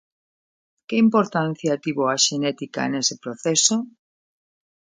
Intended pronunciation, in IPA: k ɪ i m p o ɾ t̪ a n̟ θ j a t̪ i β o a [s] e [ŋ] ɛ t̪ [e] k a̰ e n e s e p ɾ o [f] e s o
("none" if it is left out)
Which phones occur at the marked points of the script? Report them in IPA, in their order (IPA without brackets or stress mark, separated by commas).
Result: ʃ, n, i, θ